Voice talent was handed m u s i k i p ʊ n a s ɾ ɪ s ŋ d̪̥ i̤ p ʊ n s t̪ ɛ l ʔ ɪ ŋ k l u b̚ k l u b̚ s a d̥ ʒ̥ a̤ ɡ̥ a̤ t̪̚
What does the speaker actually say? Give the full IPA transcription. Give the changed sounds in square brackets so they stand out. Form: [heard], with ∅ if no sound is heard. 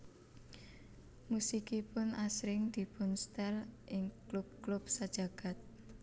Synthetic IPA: m u s i k i p ʊ n a s ɾ ɪ [∅] ŋ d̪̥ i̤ p ʊ n s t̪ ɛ l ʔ ɪ ŋ k l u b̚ k l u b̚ s a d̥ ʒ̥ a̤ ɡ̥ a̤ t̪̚